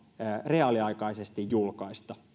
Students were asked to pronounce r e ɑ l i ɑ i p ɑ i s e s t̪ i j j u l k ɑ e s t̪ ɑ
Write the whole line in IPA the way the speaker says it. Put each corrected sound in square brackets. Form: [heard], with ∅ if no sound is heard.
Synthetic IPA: r e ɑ l i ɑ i [k] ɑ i s e s t̪ i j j u l k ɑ [i] s t̪ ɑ